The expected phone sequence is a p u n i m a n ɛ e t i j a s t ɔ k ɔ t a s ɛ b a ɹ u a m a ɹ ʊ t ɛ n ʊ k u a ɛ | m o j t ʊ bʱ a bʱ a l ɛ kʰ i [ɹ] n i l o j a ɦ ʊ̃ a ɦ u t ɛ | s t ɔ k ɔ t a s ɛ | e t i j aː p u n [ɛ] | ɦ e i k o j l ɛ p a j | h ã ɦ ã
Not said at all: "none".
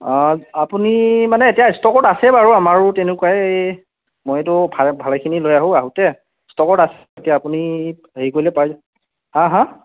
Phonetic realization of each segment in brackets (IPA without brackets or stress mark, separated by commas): none, i